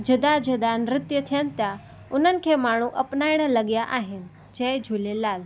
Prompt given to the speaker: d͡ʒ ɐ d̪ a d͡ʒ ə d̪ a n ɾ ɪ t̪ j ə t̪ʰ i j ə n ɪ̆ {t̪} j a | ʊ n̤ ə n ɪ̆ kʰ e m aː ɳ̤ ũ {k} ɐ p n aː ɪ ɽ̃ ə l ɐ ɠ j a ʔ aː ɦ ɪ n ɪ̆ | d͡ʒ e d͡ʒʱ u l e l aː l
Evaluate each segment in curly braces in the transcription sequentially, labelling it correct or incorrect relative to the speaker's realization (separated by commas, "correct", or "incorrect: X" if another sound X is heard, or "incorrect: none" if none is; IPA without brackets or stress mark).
correct, incorrect: ʔ